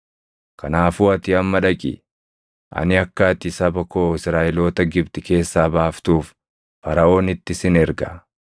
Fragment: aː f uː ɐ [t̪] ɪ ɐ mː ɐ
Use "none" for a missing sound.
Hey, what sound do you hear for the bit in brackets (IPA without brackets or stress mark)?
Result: t̪